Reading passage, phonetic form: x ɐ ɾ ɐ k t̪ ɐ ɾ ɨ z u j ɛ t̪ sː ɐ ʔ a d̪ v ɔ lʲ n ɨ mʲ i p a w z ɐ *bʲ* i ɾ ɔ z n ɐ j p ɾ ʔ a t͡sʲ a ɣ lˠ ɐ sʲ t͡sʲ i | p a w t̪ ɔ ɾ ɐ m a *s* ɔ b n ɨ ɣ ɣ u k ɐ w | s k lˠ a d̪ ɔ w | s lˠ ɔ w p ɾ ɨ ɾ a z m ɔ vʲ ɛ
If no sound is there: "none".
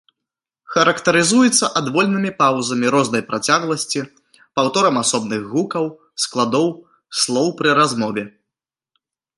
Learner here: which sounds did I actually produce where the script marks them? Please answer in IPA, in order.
mʲ, s

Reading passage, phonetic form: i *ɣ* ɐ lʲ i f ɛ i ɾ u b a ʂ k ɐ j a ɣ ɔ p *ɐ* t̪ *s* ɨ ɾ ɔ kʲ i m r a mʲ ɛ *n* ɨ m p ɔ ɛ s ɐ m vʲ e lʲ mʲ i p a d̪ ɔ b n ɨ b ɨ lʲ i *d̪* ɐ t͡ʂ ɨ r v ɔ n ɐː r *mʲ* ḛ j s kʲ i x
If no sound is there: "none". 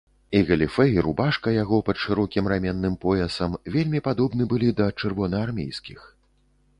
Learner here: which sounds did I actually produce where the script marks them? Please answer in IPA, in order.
ɣ, ɐ, ʂ, nː, d̪, mʲ

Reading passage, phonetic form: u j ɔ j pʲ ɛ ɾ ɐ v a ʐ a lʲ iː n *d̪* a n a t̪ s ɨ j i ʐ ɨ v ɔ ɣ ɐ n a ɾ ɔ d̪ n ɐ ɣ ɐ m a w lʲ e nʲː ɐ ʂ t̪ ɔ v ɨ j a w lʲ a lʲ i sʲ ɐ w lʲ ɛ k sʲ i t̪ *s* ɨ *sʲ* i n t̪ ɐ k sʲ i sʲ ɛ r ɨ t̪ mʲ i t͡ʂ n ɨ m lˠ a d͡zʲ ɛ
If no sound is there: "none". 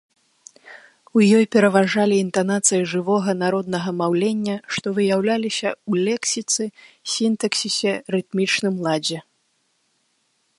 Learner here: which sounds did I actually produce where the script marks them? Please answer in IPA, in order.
t̪, s, sʲ

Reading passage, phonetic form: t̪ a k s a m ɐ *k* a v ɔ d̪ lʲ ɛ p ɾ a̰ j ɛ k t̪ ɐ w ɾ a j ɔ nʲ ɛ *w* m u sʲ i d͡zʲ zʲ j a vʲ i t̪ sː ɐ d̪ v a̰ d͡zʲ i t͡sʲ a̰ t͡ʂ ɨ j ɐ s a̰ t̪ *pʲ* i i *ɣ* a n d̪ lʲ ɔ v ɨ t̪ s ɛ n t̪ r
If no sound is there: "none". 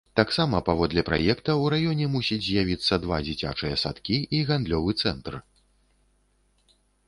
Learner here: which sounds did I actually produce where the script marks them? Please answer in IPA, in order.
p, none, kʲ, ɣ

